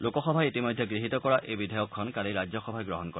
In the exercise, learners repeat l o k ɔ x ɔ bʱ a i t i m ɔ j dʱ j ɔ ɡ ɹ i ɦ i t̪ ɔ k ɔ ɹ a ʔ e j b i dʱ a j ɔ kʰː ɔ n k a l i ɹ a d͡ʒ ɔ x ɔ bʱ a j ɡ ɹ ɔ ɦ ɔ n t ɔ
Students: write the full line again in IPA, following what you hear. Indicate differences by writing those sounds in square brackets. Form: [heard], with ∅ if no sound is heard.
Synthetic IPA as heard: l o k ɔ x ɔ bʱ a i t i m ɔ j dʱ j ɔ ɡ ɹ i ɦ i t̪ ɔ k ɔ ɹ a ʔ e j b i dʱ a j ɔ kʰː ɔ n k a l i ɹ a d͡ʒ ɔ x ɔ bʱ a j ɡ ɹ ɔ ɦ ɔ n [k] ɔ